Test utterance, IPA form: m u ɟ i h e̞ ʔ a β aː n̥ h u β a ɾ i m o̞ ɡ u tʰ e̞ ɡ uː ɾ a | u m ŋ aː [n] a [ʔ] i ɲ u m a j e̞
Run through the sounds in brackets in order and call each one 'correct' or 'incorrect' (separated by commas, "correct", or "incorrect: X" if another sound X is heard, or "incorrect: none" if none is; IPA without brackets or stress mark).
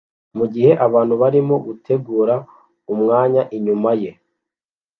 incorrect: ɲ, correct